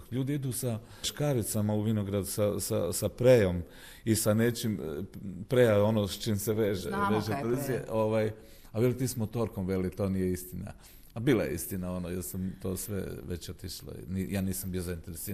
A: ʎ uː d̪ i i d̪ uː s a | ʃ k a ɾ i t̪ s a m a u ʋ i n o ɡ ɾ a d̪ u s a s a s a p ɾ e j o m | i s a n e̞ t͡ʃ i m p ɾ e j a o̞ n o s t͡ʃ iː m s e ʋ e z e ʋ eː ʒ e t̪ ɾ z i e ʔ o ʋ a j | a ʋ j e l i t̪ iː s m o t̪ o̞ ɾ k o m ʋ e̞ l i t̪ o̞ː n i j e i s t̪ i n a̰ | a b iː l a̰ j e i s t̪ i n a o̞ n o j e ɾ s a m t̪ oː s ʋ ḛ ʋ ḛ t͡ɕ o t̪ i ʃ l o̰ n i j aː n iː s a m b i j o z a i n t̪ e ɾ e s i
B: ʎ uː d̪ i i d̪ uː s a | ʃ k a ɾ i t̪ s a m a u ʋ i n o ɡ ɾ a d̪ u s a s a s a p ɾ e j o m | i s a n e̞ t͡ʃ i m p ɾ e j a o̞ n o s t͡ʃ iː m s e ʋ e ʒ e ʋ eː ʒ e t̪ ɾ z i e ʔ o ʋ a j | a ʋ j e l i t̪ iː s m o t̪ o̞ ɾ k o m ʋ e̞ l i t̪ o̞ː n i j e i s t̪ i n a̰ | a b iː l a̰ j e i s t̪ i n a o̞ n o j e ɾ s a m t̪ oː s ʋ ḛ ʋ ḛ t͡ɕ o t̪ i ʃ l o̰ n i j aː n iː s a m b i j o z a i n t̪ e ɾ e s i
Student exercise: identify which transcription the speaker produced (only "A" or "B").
B